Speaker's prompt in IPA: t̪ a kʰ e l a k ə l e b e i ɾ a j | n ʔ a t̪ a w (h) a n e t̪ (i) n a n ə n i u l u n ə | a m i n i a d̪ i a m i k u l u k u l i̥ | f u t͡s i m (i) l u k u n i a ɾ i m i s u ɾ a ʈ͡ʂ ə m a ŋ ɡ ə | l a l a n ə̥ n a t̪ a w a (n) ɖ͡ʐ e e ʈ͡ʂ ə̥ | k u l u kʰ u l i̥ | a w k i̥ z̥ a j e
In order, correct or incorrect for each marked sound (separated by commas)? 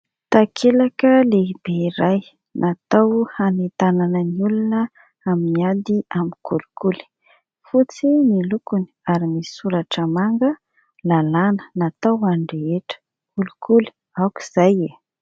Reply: correct, incorrect, correct, incorrect